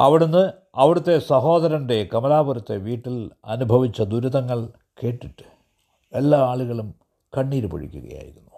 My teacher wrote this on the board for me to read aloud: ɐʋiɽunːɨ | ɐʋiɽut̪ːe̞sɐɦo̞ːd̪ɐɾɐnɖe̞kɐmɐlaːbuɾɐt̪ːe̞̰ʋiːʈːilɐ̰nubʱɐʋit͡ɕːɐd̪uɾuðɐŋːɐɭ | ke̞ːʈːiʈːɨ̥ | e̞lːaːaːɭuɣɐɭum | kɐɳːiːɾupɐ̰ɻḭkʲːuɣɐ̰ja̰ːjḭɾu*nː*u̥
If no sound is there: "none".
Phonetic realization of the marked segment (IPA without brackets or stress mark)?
nː